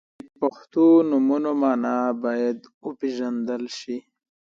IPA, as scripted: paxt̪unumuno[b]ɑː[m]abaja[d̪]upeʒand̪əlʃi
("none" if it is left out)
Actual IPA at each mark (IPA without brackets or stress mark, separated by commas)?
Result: m, n, d̪